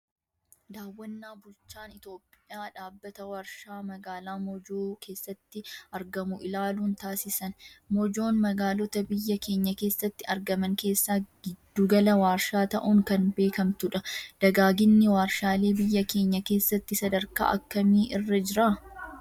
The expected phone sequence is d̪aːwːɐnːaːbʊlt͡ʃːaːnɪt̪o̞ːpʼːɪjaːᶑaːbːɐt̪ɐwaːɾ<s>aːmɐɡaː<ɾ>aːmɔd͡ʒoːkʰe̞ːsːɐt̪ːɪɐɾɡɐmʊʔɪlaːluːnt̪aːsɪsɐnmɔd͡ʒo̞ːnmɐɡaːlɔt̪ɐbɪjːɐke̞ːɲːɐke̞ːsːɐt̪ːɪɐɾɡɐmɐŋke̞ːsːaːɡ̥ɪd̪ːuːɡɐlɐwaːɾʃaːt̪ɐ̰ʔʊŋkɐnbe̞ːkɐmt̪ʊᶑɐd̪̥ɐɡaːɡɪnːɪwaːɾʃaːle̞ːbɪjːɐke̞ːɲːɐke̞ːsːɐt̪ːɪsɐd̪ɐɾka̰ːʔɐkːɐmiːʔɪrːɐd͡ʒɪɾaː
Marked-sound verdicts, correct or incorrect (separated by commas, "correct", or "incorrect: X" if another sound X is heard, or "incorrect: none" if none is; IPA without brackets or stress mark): incorrect: ʃ, incorrect: l